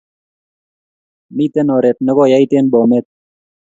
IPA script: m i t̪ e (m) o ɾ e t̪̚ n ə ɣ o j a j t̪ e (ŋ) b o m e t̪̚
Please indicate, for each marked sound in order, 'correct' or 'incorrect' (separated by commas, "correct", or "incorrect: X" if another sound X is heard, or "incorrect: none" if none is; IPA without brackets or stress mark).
incorrect: n, incorrect: n